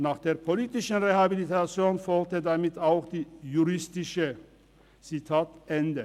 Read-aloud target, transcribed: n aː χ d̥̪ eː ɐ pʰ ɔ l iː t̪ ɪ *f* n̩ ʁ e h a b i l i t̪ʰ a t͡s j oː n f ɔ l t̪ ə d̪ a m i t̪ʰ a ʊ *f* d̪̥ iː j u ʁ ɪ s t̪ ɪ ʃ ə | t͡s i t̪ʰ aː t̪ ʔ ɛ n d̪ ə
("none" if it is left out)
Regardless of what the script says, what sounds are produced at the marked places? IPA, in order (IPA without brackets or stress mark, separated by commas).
ʃ, x